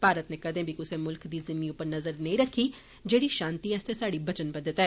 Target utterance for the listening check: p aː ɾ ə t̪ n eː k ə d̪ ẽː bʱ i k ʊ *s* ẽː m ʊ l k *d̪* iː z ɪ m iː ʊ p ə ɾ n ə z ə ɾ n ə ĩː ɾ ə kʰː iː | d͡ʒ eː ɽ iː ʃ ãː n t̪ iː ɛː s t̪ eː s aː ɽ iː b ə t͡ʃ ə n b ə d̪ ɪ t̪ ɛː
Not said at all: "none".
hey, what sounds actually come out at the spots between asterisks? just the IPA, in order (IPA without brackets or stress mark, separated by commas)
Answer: s, d̪